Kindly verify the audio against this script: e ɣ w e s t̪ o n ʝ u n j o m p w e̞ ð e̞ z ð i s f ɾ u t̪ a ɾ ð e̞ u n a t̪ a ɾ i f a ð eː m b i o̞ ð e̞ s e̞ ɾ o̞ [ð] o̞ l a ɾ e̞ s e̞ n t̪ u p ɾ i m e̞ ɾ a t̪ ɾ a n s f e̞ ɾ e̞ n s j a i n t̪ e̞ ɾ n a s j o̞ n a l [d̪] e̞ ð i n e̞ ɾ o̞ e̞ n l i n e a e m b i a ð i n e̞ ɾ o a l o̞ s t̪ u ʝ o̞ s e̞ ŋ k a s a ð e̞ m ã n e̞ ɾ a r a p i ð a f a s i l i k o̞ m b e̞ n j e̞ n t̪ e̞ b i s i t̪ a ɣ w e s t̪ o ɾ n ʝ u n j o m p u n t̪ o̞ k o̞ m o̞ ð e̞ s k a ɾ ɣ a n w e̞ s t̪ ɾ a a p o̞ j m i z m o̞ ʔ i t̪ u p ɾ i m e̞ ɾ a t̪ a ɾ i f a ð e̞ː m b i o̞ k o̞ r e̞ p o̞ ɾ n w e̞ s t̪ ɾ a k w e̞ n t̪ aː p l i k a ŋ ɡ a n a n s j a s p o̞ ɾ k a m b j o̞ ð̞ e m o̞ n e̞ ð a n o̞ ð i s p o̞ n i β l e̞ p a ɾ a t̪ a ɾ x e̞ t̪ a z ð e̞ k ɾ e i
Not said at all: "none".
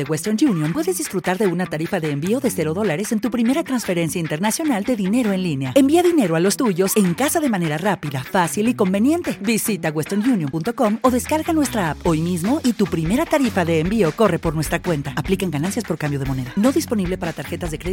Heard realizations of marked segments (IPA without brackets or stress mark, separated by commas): ð, d̪